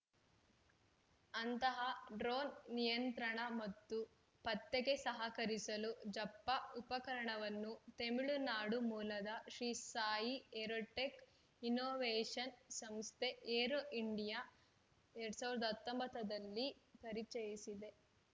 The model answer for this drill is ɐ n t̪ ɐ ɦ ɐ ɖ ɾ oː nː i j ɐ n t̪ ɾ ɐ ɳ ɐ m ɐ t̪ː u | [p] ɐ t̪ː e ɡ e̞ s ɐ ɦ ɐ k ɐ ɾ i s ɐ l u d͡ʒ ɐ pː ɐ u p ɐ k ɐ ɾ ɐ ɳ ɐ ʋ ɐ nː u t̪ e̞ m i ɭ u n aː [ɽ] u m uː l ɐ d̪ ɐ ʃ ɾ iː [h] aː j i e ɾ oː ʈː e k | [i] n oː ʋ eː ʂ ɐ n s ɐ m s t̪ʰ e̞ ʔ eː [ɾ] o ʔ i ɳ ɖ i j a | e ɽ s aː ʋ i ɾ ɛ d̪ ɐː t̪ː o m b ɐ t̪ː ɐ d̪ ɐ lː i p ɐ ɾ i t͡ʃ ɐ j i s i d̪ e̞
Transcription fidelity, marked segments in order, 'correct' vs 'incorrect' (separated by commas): correct, correct, incorrect, correct, correct